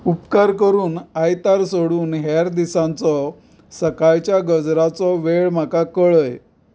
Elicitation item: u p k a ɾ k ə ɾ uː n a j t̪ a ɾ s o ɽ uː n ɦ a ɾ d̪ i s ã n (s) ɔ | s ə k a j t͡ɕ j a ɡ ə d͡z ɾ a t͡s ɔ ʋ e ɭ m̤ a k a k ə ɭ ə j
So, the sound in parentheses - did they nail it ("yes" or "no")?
no